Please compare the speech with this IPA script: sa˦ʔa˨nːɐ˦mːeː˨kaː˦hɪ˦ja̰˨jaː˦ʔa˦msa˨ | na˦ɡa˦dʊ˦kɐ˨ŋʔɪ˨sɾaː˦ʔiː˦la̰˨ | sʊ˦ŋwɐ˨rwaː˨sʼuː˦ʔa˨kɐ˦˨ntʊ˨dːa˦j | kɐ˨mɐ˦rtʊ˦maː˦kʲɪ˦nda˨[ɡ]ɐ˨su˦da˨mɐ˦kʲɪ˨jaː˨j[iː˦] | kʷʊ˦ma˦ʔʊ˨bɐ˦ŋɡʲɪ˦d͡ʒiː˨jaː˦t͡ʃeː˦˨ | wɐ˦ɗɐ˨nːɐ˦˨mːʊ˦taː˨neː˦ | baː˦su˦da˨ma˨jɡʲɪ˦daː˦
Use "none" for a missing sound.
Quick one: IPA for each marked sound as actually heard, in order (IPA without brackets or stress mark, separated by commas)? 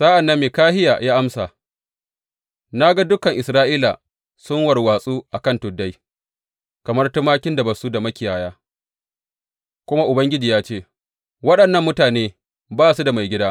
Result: b, aː˦